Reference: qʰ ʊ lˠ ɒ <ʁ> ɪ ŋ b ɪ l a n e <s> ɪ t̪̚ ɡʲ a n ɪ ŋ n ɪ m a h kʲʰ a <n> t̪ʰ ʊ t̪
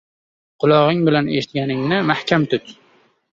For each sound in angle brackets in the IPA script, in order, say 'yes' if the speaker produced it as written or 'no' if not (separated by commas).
yes, no, no